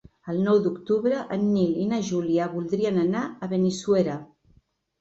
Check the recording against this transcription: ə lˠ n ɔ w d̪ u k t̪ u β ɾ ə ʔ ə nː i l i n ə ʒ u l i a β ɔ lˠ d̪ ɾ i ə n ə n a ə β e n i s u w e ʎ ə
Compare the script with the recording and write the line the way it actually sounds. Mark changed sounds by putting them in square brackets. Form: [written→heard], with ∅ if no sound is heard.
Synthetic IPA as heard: ə lˠ n ɔ w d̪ u k t̪ u β ɾ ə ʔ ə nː i l i n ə ʒ u l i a β [ɔ→u] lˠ d̪ ɾ i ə n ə n a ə β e n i s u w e [ʎ→ɾ] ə